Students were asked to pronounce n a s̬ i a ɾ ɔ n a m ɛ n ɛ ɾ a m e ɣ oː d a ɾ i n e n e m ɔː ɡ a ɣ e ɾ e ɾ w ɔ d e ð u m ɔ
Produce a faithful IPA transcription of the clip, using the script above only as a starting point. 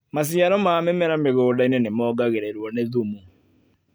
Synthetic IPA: m a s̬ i a ɾ ɔ m a m ɛ m ɛ ɾ a m e ɣ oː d a i n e n e m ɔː ɡ a ɣ e ɾ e ɾ w ɔ n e ð u m u